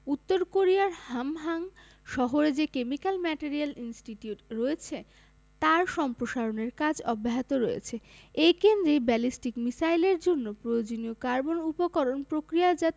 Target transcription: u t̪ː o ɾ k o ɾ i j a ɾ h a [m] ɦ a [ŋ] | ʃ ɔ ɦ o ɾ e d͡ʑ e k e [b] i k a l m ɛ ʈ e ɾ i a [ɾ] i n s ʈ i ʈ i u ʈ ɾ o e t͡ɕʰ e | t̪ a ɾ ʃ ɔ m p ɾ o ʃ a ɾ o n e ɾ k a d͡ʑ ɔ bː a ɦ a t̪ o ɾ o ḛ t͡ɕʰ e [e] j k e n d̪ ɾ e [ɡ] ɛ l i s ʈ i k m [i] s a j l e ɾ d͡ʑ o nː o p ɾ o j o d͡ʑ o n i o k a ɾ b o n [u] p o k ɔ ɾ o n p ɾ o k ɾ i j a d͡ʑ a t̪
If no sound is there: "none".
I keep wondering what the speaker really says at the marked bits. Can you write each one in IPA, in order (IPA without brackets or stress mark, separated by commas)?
m, ŋ, m, l, e, b, i, u